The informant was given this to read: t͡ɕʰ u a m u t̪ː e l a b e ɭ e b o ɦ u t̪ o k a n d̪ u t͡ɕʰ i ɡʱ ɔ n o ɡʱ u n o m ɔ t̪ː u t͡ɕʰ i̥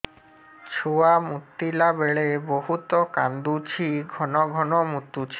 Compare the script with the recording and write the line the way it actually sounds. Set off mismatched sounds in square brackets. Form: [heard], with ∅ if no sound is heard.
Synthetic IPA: t͡ɕʰ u a m u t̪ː [i] l a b e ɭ e b o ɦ u t̪ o k a n d̪ u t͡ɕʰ i ɡʱ ɔ n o ɡʱ [ɔ] n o m [u] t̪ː u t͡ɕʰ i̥